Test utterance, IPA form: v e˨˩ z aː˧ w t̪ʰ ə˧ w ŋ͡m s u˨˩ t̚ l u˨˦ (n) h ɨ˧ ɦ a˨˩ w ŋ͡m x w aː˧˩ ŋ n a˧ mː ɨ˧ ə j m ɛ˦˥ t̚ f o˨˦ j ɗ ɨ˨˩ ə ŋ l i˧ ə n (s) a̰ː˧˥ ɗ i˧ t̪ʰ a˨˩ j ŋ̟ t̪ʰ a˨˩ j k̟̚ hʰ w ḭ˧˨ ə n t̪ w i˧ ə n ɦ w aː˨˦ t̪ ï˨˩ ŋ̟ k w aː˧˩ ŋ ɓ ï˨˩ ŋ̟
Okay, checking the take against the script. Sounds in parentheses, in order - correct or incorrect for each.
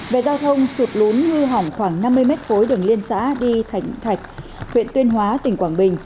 correct, correct

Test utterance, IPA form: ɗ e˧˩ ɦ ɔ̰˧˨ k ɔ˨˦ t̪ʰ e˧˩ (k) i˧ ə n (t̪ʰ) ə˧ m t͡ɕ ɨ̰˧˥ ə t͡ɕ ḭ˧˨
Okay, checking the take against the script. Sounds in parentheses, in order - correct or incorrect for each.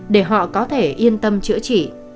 incorrect: ʔ, incorrect: t̪

